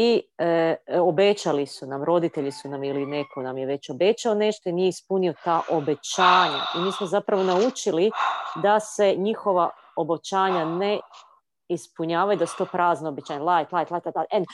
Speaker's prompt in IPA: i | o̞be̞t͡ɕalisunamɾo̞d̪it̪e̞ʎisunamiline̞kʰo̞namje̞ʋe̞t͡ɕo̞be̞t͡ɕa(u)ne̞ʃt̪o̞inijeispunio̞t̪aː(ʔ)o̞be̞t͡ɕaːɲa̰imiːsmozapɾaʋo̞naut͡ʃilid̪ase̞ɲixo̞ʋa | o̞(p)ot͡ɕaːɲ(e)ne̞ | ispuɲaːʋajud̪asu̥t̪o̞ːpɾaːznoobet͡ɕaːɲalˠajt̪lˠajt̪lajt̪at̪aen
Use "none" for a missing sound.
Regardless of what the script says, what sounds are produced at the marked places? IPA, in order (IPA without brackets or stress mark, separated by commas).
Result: o, ʔ, b, a